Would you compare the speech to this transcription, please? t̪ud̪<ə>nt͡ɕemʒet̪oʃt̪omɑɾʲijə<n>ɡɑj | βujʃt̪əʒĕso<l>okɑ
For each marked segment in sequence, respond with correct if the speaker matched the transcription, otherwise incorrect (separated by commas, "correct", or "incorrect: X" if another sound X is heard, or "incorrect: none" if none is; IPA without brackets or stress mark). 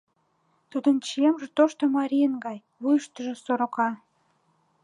correct, correct, incorrect: ɾ